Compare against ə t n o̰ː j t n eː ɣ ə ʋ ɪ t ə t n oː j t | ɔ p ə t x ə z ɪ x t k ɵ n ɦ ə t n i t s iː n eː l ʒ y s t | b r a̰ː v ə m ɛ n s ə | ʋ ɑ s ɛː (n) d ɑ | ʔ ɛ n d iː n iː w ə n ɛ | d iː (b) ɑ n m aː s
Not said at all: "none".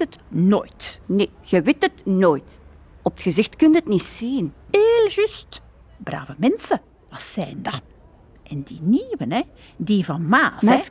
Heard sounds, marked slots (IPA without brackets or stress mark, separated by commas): n, v